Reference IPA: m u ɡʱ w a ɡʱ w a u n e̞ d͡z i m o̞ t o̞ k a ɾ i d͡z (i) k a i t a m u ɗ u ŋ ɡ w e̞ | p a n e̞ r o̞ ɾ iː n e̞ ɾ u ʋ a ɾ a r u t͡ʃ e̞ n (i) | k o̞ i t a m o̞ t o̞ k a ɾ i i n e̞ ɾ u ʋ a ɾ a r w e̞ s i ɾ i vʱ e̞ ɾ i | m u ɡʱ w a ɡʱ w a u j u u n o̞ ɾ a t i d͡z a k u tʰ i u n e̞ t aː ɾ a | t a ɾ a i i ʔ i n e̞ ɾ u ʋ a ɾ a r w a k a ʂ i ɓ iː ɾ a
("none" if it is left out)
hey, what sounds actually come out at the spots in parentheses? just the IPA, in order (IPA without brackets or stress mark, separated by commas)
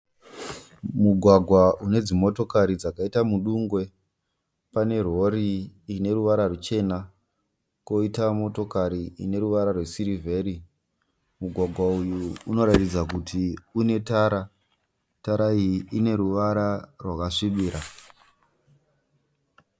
a, a